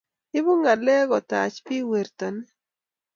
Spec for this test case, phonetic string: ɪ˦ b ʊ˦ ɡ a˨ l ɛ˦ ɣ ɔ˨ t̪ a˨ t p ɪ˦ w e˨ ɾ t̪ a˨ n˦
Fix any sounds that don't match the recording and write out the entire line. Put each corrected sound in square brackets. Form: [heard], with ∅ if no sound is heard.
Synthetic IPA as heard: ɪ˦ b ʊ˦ [ŋ] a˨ l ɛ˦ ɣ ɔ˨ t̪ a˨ [t͡ʃ] p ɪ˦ w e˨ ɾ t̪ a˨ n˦